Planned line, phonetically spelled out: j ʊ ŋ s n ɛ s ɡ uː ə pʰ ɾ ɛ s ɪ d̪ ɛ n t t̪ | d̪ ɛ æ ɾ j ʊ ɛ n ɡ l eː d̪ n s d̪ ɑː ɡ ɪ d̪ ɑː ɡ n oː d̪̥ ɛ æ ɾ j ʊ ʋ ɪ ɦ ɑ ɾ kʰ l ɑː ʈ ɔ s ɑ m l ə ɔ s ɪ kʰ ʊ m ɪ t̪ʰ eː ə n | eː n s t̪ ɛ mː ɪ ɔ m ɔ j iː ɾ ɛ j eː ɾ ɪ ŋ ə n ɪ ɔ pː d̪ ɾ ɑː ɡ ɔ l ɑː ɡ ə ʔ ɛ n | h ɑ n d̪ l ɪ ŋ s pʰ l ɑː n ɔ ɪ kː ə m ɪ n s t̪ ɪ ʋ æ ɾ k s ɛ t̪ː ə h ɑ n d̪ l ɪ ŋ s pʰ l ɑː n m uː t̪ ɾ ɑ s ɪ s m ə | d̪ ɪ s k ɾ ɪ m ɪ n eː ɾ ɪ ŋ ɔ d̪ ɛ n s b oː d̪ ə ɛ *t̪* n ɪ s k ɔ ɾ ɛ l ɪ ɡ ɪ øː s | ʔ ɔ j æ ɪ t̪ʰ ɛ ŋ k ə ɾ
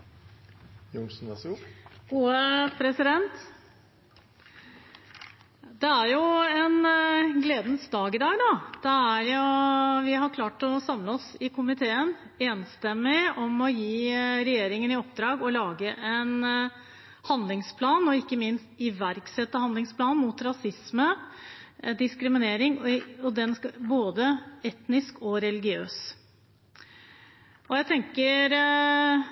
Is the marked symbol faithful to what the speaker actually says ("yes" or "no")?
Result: yes